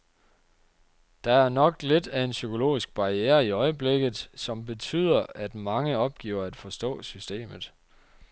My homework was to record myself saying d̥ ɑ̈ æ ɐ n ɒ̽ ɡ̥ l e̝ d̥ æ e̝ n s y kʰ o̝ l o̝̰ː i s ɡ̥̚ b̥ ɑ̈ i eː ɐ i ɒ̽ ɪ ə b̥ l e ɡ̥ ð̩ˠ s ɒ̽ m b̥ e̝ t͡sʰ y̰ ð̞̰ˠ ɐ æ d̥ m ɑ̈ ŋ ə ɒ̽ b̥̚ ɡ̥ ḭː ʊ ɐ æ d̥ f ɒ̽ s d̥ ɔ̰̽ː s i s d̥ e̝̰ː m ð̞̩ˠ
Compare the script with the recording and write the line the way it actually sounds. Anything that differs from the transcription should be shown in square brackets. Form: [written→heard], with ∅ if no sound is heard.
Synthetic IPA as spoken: d̥ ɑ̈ æ ɐ n ɒ̽ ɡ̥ l e̝ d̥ æ e̝ n s y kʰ o̝ l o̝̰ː i s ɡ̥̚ b̥ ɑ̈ i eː ɐ i ɒ̽ ɪ ə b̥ l e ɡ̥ ð̩ˠ s ɒ̽ m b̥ e̝ t͡sʰ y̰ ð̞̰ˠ ɐ æ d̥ m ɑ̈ ŋ ə ɒ̽ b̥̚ ɡ̥ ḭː ʊ ɐ æ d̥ f ɒ̽ s d̥ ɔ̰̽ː s [i→y] s d̥ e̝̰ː m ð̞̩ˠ